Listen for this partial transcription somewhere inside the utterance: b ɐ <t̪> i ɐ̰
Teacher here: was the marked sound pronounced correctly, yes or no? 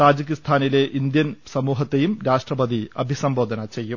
no